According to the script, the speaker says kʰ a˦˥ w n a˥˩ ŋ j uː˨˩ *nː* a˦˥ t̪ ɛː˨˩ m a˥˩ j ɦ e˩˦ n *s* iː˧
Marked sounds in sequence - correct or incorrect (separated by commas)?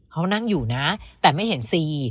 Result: incorrect, correct